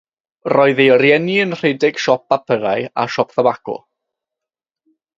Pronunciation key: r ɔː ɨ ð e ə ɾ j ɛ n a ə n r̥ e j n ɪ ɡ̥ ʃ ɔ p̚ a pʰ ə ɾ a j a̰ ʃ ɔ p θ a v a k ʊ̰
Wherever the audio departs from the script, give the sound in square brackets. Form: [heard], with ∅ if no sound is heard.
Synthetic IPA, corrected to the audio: r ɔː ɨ ð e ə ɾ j ɛ n [i] ə n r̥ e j [d] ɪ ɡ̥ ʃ ɔ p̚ a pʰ ə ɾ a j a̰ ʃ ɔ p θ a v a k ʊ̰